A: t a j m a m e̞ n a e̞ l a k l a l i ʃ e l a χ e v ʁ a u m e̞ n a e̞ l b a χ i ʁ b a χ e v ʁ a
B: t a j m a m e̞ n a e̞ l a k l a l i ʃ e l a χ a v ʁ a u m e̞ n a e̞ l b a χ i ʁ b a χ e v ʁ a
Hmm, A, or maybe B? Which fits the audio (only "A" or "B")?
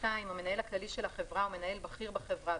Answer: A